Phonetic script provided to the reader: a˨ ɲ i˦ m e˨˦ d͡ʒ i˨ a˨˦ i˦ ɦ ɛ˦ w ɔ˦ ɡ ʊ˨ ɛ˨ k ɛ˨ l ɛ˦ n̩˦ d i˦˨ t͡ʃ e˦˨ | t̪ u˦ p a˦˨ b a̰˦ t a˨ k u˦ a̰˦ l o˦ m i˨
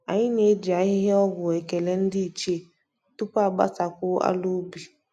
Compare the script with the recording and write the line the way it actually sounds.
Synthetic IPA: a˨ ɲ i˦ ɲ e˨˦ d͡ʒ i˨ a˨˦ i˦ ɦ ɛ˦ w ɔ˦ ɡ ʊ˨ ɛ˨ k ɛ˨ l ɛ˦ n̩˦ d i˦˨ t͡ʃ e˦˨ | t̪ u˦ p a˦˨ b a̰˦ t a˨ k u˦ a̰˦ l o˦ b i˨